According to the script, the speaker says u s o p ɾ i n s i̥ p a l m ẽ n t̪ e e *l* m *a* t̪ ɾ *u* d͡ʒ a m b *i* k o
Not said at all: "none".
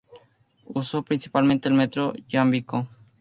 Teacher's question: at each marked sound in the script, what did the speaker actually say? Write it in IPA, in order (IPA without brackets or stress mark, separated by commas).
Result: l, e, o, i